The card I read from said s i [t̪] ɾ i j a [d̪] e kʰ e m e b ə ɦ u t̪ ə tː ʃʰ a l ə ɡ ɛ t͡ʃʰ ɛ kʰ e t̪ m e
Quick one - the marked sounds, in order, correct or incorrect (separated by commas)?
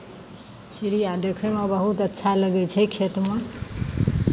incorrect, correct